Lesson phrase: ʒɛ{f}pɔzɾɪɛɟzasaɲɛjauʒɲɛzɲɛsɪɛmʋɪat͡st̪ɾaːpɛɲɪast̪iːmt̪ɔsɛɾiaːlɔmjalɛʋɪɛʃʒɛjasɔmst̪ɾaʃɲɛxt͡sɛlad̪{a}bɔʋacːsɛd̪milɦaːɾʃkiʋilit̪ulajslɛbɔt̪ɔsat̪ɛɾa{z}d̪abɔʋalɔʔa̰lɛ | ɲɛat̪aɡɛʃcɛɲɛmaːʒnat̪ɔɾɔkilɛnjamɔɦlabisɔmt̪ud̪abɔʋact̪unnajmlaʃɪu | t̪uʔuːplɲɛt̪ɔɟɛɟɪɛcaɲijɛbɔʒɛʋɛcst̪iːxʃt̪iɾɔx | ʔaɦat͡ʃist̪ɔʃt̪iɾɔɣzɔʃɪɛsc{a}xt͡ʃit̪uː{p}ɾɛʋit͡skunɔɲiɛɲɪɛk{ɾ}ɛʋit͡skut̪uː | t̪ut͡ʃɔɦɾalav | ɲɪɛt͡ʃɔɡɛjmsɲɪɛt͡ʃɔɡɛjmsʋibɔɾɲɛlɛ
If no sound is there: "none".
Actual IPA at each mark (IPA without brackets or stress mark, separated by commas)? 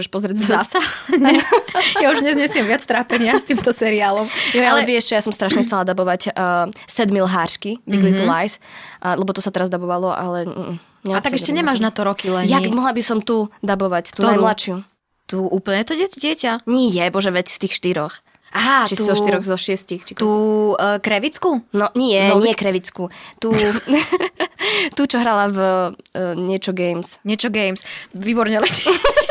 ʃ, a, z, i, k, ɾ